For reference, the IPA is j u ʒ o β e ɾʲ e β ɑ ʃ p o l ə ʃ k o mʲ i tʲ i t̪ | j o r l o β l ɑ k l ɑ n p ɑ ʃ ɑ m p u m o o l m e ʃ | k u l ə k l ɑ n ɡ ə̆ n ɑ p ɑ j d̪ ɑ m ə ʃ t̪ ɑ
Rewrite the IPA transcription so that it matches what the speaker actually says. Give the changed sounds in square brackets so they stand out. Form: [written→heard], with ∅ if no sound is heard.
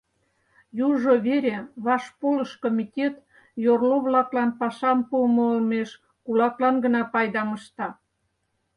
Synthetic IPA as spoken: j u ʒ o β e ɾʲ e β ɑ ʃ p o l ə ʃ k o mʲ i tʲ [i→e] t̪ | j o r l o β l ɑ k l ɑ n p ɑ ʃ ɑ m p u m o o l m e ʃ | k u l [ə→ɑ] k l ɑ n ɡ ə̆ n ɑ p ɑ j d̪ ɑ m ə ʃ t̪ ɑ